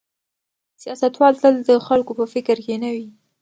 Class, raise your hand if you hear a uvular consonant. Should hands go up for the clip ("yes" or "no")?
no